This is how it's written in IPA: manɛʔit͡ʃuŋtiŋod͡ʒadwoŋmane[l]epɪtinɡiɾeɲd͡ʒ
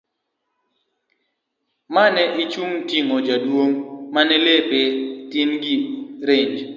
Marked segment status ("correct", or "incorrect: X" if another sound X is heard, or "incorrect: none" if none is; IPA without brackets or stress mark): correct